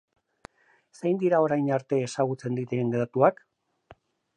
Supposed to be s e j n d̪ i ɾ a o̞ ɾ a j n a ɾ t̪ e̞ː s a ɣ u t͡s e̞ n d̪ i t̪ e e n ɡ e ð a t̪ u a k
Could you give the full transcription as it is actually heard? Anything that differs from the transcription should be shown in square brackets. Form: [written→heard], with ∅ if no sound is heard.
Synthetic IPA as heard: s e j n d̪ i ɾ a o̞ ɾ a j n a ɾ t̪ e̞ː s a ɣ u t͡s e̞ n d̪ i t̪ e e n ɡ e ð a t̪ u a k